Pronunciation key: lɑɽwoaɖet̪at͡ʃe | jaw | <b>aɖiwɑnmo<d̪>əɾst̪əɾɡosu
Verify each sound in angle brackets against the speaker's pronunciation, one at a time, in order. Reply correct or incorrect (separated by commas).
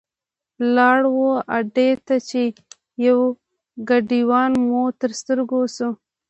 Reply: incorrect, incorrect